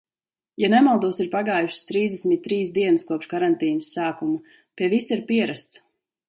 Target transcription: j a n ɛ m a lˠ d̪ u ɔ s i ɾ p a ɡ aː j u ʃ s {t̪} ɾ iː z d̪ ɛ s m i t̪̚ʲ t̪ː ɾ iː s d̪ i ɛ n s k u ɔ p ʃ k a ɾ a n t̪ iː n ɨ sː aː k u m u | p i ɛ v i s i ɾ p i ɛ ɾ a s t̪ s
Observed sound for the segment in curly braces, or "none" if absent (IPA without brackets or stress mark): t̪